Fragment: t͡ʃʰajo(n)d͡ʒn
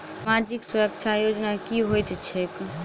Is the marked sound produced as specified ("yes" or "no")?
no